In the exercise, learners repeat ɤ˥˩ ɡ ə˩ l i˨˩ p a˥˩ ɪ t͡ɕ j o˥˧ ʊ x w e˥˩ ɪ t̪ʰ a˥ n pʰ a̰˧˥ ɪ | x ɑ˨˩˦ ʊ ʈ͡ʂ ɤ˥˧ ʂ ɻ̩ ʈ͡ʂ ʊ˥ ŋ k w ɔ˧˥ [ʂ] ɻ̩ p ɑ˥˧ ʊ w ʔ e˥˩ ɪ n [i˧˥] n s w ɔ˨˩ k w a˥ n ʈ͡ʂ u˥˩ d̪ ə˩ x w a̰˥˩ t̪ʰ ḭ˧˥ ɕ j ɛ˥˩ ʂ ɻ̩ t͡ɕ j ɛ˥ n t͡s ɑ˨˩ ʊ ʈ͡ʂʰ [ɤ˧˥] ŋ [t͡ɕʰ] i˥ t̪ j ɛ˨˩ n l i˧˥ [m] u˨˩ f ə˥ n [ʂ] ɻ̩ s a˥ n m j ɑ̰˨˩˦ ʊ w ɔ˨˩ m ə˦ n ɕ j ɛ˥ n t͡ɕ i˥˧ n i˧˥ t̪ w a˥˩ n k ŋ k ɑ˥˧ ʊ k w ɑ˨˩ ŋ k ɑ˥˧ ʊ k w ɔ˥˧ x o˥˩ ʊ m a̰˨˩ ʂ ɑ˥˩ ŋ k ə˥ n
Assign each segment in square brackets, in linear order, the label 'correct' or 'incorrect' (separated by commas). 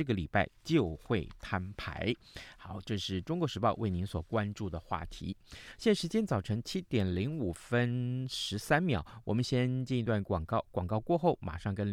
correct, correct, correct, correct, incorrect, correct